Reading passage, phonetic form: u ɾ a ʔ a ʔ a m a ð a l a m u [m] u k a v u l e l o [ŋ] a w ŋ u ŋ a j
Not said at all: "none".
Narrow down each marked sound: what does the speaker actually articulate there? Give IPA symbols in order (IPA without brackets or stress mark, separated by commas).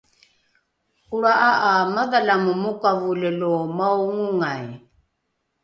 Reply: m, m